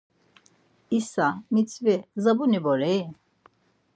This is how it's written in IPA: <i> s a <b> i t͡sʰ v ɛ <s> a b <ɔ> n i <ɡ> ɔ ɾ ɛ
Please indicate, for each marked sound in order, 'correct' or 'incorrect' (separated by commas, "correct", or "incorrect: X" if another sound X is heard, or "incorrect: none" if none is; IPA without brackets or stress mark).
correct, incorrect: m, incorrect: z, incorrect: u, incorrect: b